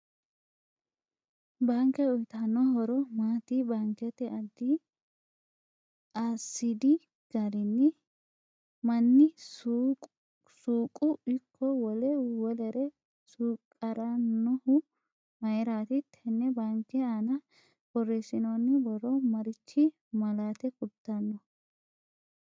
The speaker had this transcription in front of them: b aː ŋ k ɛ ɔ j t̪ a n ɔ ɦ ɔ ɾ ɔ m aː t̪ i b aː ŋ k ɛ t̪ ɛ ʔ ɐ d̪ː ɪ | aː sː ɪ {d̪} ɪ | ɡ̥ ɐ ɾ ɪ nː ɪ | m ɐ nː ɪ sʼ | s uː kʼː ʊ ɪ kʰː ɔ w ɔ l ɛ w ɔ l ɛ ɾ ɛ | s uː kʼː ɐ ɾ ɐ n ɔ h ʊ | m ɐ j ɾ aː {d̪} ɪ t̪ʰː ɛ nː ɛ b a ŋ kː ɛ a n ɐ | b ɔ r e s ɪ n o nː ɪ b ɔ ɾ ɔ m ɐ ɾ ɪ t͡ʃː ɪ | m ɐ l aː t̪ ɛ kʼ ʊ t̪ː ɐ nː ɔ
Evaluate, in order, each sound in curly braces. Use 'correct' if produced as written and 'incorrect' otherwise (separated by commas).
correct, incorrect